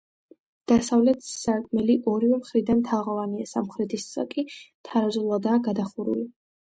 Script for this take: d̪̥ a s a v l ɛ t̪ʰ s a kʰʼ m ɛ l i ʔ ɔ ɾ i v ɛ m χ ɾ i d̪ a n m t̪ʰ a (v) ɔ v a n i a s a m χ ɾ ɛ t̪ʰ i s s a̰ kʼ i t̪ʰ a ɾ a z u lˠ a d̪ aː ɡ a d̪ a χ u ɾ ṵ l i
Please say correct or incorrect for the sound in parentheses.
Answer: incorrect